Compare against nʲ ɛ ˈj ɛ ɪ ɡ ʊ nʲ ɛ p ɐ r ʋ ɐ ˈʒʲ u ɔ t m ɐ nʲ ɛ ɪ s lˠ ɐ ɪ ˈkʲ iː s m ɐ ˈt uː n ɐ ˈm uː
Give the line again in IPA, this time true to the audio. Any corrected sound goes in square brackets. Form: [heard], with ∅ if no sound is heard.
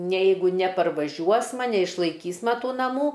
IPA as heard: nʲ ɛ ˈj ɛ ɪ ɡ ʊ nʲ ɛ p ɐ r ʋ ɐ ˈʒʲ u ɔ [s] m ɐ nʲ ɛ ɪ [ʃ] lˠ ɐ ɪ ˈkʲ iː s m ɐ ˈt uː n ɐ ˈm uː

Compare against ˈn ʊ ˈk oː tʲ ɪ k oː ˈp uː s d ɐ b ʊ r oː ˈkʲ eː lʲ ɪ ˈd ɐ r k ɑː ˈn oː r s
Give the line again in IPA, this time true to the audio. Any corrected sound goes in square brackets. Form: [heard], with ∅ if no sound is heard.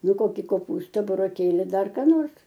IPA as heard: ˈn ʊ ˈk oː [kʲ] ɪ k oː ˈp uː s [t] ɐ b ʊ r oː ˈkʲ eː lʲ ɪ ˈd ɐ r k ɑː ˈn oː r s

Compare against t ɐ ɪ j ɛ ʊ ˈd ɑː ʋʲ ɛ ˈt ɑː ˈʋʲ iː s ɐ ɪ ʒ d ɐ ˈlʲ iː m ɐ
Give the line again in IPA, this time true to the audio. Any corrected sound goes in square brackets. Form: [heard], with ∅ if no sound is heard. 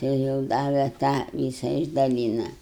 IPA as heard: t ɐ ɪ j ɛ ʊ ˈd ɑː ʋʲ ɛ ˈt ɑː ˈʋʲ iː s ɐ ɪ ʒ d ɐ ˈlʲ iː [n] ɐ

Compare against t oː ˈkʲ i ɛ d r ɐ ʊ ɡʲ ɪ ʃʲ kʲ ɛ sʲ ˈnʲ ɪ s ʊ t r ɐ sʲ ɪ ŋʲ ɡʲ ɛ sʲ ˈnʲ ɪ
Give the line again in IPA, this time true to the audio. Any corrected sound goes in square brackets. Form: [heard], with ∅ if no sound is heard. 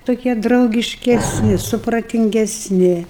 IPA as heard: t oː ˈkʲ i ɛ d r ɐ ʊ ɡʲ ɪ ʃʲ kʲ ɛ sʲ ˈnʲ ɪ s ʊ [p] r ɐ [tʲ] ɪ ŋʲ ɡʲ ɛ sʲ ˈnʲ ɪ

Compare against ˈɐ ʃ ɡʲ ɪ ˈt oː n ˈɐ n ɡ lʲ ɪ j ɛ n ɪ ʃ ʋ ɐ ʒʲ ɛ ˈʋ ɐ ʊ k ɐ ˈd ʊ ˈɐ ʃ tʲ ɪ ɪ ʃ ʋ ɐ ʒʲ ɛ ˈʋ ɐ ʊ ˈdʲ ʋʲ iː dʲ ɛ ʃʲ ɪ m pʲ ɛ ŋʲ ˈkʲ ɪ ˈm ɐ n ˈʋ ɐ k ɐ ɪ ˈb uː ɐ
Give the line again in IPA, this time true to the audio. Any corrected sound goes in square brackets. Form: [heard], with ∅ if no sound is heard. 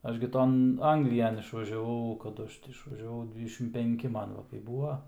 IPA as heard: ˈɐ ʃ ɡʲ ɪ ˈt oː n ˈɐ [ŋ] ɡ lʲ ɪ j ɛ n ɪ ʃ ʋ ɐ ʒʲ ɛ ˈʋ ɐ ʊ k ɐ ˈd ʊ ˈɐ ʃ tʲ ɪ ɪ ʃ ʋ ɐ ʒʲ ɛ ˈʋ ɐ ʊ ˈdʲ ʋʲ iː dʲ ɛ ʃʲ ɪ m pʲ ɛ ŋʲ ˈkʲ ɪ ˈm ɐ n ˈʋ ɐ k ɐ ɪ ˈb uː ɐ

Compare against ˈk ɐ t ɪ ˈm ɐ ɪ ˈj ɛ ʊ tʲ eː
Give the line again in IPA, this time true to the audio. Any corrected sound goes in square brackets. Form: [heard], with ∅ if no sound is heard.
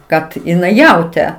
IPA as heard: ˈk ɐ t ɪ [ˈn] ɐ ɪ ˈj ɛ ʊ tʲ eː

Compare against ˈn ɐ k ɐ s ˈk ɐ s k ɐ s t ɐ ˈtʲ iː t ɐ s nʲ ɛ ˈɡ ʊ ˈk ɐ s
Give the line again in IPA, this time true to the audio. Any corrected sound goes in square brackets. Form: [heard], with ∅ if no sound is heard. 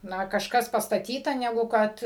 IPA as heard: ˈn ɐ k ɐ [ʃ] ˈk ɐ s [p] ɐ s t ɐ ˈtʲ iː t ɐ [∅] nʲ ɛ ˈɡ ʊ ˈk ɐ [t]

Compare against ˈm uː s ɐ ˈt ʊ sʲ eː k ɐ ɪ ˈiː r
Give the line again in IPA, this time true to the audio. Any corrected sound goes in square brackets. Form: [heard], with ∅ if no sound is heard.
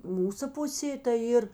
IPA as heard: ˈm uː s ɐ [ˈp] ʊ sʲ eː [t] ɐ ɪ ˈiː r

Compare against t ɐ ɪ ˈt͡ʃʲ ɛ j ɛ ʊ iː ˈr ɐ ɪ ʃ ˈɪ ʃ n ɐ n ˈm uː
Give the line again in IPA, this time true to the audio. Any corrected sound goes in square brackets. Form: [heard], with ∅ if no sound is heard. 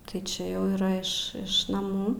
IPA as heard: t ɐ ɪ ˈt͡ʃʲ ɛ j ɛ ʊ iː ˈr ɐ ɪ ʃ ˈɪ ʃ n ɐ [∅] ˈm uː

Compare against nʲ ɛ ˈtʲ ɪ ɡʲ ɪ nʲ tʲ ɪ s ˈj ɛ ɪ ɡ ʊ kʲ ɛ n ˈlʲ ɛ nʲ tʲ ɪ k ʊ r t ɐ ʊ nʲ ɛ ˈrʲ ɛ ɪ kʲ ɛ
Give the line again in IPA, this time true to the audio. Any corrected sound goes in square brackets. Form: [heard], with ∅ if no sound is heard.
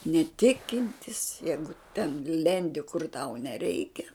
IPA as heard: nʲ ɛ ˈtʲ ɪ [kʲ] ɪ nʲ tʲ ɪ s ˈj ɛ ɪ ɡ ʊ [tʲ] ɛ n ˈlʲ ɛ nʲ [dʲ] ɪ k ʊ r t ɐ ʊ nʲ ɛ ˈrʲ ɛ ɪ kʲ ɛ

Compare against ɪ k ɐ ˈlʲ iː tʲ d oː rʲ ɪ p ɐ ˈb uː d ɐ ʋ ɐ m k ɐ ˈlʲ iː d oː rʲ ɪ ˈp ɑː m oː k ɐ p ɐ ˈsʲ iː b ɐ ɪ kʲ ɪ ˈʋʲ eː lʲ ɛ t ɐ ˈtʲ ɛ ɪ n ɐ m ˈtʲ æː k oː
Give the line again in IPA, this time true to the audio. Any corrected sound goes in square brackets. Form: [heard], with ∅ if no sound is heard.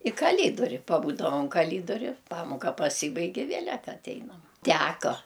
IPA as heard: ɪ k ɐ ˈlʲ iː [∅] d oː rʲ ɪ p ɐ ˈb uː d ɐ ʋ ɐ m k ɐ ˈlʲ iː d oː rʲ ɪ ˈp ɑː m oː k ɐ p ɐ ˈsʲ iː b ɐ ɪ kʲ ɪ ˈʋʲ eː lʲ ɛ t ɐ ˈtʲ ɛ ɪ n ɐ m ˈtʲ æː k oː

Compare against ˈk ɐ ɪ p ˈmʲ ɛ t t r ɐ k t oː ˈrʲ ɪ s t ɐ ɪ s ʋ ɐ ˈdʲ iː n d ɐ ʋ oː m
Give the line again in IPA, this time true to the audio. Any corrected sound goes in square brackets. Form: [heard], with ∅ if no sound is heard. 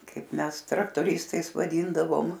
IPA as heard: ˈk ɐ ɪ p ˈmʲ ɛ [s] t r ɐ k t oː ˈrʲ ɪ s t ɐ ɪ s ʋ ɐ ˈdʲ iː n d ɐ ʋ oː m

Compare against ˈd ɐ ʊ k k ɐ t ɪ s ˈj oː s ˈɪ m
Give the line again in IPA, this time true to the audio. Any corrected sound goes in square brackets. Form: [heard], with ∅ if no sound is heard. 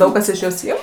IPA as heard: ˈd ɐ ʊ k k ɐ [s] ɪ [ʃ] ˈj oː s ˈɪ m

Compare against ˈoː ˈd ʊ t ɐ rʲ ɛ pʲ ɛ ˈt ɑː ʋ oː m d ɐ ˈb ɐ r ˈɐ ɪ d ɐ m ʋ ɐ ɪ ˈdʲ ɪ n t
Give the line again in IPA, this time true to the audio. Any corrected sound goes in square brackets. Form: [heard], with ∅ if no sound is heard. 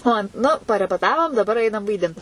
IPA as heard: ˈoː [ˈn] ʊ [p] ɐ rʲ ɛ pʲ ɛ ˈt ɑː ʋ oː m d ɐ ˈb ɐ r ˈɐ ɪ [n] ɐ m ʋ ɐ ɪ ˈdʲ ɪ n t

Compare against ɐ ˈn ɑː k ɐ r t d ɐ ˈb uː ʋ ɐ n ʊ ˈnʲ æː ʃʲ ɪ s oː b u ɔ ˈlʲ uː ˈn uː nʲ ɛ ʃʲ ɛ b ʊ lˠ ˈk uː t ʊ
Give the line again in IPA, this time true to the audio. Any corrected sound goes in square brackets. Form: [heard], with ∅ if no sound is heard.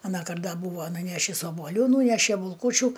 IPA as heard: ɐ ˈn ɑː k ɐ r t d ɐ ˈb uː ʋ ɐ n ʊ ˈnʲ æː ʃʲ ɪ s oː b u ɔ ˈlʲ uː ˈn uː nʲ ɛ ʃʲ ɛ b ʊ lˠ ˈk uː [t͡ʃʲ] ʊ

